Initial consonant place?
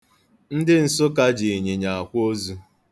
alveolar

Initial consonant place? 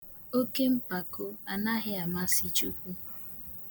velar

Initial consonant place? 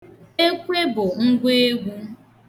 velar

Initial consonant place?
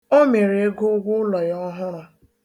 labial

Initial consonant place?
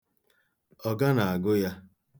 velar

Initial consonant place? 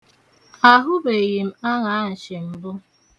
glottal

